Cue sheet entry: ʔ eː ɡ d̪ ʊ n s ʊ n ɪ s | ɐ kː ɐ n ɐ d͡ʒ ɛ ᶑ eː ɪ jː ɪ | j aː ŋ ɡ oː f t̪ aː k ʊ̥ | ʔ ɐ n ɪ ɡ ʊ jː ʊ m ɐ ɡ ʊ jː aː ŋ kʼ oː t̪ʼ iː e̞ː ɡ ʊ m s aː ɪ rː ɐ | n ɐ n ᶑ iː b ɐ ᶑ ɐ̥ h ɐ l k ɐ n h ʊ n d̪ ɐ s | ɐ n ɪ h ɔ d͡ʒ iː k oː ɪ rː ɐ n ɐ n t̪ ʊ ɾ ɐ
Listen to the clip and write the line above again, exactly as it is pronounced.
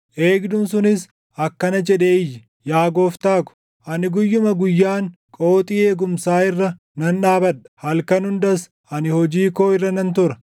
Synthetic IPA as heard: ʔ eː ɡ d̪ ʊ n s ʊ n ɪ s | ɐ kː ɐ n ɐ d͡ʒ ɛ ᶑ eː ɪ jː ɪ | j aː ɡ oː f t̪ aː k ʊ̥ | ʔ ɐ n ɪ ɡ ʊ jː ʊ m ɐ ɡ ʊ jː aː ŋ kʼ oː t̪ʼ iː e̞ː ɡ ʊ m s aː ɪ rː ɐ | n ɐ n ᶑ aː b ɐ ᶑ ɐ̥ h ɐ l k ɐ n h ʊ n d̪ ɐ s | ɐ n ɪ h ɔ d͡ʒ iː k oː ɪ rː ɐ n ɐ n t̪ ʊ ɾ ɐ